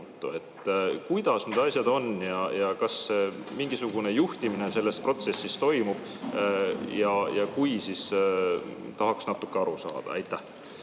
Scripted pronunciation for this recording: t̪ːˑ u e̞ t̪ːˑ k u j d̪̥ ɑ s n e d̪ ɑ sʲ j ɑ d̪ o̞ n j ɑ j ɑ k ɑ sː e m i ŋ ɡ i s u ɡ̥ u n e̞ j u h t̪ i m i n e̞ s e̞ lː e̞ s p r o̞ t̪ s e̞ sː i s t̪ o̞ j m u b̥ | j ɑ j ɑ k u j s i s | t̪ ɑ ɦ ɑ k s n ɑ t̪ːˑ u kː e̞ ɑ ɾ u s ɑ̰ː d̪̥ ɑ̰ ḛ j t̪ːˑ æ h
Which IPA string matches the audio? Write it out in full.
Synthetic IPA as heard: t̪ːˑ u e̞ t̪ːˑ k u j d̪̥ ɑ s n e d̪ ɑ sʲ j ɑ d̪ o̞ n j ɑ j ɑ k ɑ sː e m i ŋ ɡ i s u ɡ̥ u n e̞ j u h t̪ i m i n e̞ s e̞ lː e̞ s p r o̞ t̪ s e̞ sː i s t̪ o̞ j m u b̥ | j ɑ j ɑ k u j s i s | t̪ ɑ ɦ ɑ k s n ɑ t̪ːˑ u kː e̞ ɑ ɾ u s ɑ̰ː d̪̥ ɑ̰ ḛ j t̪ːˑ æ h